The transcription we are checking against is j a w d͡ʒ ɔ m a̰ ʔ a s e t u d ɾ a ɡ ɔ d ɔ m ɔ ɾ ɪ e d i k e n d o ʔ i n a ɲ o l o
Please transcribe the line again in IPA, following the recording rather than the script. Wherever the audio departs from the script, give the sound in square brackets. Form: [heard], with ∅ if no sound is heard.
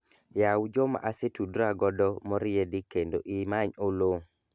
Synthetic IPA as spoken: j a w d͡ʒ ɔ m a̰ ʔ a s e t u d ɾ a ɡ ɔ d ɔ m ɔ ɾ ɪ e d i k e n d o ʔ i [m] a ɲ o l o